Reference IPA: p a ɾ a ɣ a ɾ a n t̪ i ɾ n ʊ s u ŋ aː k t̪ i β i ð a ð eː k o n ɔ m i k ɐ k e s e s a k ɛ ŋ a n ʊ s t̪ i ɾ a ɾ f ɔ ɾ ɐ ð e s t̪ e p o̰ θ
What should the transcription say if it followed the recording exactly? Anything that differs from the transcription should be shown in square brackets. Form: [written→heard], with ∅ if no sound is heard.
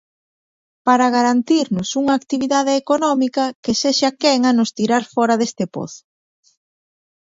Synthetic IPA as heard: p a ɾ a ɣ a ɾ a n t̪ i ɾ n ʊ s u ŋ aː k t̪ i β i ð a ð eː k o n ɔ m i k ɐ k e s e [s→ʃ] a k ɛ ŋ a n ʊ s t̪ i ɾ a ɾ f ɔ ɾ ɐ ð e s t̪ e p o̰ θ